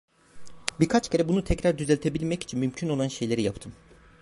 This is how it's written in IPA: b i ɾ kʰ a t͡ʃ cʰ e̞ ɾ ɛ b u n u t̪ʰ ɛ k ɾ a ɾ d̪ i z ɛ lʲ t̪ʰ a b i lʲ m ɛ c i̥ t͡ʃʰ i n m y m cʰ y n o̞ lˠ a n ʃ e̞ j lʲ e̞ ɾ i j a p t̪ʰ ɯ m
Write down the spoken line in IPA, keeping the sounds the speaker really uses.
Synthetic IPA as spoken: b i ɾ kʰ a t͡ʃ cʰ e̞ ɾ ɛ b u n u t̪ʰ ɛ c ɾ a ɾ d̪ y z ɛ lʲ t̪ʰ e b i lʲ m ɛ c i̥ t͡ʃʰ i n m y m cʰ y n o̞ lˠ a n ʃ e̞ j lʲ e̞ ɾ i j a p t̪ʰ ɯ m